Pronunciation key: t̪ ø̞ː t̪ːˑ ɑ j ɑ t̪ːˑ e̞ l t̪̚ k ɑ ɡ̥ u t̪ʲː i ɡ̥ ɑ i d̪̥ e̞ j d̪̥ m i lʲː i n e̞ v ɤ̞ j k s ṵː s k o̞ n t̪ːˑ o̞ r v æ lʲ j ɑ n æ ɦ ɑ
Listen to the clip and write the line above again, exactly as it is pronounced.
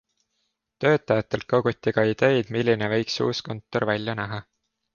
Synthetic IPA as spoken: t̪ ø̞ː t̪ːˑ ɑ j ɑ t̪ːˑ e̞ l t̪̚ k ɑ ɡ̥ u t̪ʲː i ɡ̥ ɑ i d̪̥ e̞ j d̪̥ m i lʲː i n e̞ v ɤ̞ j k s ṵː s k o̞ n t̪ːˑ o̞ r v æ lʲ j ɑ n æ ɦ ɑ